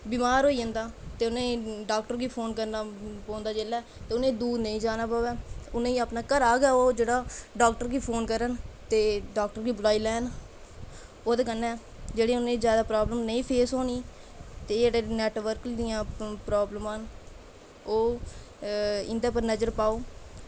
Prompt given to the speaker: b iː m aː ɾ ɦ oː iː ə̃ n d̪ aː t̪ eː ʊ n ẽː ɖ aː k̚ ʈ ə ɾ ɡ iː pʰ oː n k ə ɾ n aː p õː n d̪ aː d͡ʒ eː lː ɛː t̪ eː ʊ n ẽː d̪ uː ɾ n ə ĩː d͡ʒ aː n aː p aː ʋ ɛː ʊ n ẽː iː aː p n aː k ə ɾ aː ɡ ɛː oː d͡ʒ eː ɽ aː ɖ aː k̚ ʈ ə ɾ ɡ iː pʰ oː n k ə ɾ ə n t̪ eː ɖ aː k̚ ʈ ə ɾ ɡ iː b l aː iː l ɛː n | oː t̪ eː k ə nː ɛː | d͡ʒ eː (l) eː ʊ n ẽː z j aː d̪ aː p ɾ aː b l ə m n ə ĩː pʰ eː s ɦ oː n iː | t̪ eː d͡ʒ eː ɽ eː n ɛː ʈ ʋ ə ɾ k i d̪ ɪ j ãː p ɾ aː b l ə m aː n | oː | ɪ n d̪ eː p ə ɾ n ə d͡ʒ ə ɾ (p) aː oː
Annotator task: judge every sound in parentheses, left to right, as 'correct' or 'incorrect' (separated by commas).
incorrect, correct